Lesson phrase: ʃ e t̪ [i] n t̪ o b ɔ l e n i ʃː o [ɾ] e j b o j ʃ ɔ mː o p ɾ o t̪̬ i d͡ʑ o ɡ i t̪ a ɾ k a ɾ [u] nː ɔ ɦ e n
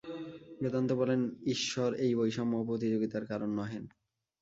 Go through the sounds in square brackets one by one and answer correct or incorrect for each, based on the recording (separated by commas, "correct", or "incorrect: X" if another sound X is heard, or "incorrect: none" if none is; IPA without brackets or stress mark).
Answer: incorrect: a, correct, incorrect: o